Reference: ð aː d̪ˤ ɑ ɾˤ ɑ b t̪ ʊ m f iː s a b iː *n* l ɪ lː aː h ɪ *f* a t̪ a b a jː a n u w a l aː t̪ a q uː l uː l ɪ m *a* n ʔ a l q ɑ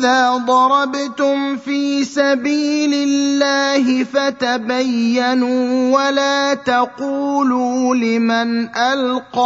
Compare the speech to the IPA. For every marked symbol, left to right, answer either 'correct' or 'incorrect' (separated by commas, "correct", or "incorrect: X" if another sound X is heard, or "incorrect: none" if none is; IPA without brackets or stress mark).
incorrect: none, correct, correct